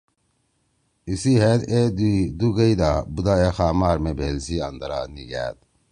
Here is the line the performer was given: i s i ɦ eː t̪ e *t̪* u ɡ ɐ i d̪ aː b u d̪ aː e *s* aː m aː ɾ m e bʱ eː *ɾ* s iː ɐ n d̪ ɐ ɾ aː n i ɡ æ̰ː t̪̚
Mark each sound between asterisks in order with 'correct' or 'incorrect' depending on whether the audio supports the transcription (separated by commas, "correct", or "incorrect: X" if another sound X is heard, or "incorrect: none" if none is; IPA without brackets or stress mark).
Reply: incorrect: d̪, incorrect: x, incorrect: l